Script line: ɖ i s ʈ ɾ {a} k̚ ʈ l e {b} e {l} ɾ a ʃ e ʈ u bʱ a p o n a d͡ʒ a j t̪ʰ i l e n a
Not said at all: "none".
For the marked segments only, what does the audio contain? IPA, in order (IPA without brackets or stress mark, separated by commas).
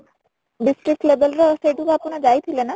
i, b, l